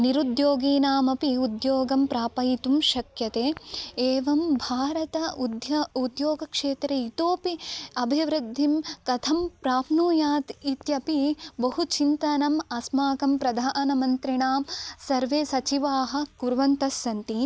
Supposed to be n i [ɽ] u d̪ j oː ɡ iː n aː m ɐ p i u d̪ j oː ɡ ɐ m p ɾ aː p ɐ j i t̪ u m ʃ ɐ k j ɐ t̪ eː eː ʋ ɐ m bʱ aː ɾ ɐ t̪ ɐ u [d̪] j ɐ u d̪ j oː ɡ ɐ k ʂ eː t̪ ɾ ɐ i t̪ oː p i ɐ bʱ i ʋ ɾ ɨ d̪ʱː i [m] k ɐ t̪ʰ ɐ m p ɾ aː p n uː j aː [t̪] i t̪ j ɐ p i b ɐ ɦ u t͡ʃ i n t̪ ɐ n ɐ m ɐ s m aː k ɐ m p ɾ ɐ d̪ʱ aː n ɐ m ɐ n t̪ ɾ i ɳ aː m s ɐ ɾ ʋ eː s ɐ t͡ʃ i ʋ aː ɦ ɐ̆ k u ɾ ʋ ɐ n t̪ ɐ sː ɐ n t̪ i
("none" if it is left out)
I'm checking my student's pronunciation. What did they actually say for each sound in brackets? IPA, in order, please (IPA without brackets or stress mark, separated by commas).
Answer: ɾ, d̪, m, t̪